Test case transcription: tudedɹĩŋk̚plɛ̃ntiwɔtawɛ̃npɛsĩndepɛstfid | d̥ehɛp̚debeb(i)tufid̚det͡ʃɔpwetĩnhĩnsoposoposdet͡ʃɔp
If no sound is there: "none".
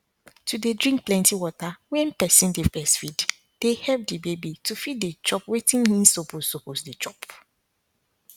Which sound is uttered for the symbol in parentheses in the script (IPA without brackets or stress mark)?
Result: i